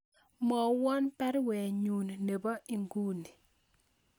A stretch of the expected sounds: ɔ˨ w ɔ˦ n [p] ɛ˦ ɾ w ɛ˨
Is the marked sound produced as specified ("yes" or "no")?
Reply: yes